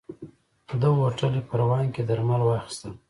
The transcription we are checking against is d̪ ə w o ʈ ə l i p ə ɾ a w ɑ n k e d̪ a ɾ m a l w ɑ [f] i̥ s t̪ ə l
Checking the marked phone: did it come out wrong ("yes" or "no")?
yes